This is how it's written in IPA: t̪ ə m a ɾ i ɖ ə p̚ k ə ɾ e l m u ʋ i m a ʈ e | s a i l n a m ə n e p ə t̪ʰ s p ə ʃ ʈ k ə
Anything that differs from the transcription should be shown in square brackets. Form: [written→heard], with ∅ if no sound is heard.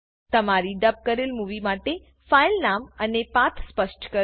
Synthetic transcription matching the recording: t̪ ə m a ɾ i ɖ ə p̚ k ə ɾ e l m u ʋ i m a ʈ e | [s→f] a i l n a m ə n e p [ə→a] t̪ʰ s p ə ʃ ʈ k ə